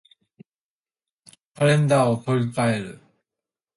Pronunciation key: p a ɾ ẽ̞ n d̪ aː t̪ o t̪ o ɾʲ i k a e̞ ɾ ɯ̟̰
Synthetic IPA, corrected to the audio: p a ɾ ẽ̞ n d̪ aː o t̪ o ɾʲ i k a e̞ ɾ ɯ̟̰